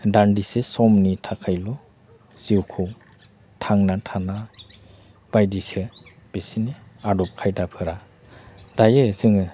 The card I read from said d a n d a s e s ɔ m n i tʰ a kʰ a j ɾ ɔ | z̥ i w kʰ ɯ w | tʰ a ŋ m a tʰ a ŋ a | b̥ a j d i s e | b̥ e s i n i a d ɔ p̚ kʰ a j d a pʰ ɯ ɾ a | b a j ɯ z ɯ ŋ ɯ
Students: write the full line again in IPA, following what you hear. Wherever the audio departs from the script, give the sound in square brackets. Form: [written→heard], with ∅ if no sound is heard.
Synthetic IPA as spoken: d a n d [a→i] s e s ɔ m n i tʰ a kʰ a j [ɾ→l] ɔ | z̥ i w kʰ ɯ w | tʰ a ŋ [m→n] a tʰ a [ŋ→n] a | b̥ a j d i s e | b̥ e s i n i a d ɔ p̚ kʰ a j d a pʰ ɯ ɾ a | [b→d] a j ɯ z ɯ ŋ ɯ